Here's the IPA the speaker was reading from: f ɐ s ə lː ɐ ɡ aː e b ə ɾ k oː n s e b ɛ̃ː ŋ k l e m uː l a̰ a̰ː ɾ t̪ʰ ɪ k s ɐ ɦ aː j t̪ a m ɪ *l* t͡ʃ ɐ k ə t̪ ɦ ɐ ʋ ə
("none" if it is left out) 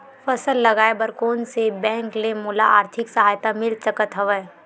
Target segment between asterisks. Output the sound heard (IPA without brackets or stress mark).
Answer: l